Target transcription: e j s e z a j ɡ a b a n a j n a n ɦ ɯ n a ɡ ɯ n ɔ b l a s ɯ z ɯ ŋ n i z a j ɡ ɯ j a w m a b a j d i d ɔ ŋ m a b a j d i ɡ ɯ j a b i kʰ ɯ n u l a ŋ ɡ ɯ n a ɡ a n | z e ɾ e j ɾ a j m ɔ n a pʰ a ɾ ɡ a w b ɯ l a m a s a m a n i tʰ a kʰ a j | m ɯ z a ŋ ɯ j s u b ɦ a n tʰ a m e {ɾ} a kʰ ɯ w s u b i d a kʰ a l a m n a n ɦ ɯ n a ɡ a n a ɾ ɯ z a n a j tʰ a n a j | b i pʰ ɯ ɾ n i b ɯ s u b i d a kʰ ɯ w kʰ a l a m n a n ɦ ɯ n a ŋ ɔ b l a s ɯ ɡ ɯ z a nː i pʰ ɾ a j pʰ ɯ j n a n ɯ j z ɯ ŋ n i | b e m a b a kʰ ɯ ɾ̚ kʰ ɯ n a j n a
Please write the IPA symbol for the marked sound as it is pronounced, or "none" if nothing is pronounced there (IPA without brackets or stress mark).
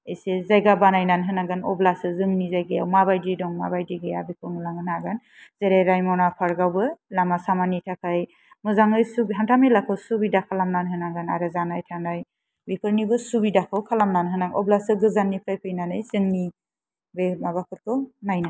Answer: l